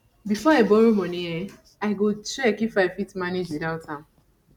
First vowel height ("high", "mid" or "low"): high